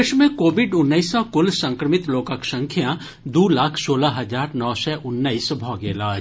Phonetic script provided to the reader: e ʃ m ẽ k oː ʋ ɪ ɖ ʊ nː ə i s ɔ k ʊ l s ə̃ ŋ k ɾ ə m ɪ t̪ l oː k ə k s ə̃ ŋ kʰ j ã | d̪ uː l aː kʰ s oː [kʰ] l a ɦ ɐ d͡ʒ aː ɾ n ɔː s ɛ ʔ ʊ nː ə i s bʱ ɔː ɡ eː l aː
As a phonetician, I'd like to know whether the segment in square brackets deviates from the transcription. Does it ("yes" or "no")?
yes